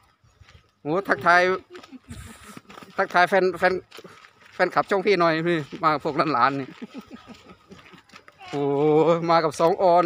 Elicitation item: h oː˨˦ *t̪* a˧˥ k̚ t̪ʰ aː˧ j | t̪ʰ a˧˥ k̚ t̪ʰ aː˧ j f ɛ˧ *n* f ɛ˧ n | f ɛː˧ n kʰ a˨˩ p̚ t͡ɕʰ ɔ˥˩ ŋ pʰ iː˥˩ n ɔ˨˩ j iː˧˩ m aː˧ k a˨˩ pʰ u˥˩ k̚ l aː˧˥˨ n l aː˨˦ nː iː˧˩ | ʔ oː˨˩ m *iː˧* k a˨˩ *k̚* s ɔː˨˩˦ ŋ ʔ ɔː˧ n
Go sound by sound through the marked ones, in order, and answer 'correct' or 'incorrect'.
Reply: incorrect, correct, incorrect, incorrect

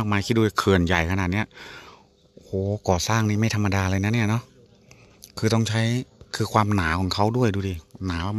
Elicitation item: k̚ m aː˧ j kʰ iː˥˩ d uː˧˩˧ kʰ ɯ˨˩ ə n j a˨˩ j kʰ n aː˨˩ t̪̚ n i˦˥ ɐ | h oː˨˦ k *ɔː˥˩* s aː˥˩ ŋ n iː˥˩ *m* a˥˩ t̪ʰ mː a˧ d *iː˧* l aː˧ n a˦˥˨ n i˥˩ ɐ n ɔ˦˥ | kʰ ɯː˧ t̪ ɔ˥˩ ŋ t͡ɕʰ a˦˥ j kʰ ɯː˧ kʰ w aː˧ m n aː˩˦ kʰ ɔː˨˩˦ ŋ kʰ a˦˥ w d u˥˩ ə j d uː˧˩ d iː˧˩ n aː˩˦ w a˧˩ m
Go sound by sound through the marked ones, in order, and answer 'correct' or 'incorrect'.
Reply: incorrect, correct, incorrect

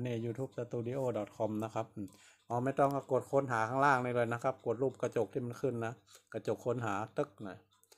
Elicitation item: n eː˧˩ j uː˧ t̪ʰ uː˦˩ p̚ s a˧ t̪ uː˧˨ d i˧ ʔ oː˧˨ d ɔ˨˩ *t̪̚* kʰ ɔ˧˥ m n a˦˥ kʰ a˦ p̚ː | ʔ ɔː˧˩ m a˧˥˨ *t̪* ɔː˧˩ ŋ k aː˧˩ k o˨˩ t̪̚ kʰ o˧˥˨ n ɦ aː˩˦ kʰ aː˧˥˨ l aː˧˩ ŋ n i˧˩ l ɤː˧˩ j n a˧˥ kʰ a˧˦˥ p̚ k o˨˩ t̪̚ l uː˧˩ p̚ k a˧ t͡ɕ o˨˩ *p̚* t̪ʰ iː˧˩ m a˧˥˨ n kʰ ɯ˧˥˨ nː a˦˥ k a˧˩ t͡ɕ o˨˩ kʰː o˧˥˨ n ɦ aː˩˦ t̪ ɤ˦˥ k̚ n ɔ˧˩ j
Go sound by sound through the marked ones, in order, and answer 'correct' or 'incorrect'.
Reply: correct, correct, incorrect

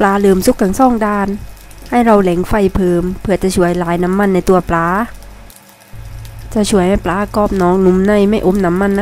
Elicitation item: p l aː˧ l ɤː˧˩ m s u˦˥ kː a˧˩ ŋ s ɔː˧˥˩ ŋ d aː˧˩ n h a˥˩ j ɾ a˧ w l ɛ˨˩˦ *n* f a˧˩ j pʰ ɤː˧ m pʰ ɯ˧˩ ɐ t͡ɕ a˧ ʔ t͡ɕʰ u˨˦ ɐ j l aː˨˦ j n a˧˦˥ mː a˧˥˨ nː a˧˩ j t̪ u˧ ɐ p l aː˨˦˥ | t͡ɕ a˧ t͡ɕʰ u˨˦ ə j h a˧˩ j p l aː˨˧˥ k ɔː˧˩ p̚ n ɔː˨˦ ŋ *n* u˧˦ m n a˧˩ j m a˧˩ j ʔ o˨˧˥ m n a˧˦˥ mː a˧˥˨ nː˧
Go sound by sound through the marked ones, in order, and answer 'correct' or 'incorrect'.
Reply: incorrect, correct

